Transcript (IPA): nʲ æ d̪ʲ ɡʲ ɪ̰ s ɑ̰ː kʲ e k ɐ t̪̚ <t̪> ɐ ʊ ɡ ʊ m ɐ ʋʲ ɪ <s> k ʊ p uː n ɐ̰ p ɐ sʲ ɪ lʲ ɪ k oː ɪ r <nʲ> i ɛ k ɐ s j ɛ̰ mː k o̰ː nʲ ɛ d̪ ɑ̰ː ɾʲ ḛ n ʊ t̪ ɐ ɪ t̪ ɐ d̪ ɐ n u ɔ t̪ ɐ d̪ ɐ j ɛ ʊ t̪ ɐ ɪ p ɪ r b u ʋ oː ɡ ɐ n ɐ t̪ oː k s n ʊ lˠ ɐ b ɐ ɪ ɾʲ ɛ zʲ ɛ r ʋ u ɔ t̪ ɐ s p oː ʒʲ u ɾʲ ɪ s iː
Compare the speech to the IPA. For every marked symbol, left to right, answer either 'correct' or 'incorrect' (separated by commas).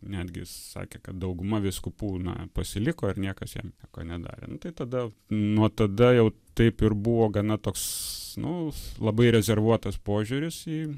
incorrect, correct, correct